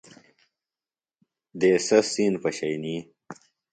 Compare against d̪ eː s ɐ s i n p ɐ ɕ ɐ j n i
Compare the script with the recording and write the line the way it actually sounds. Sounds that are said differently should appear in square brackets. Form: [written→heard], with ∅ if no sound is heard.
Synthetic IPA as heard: d̪ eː s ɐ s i n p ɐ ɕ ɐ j n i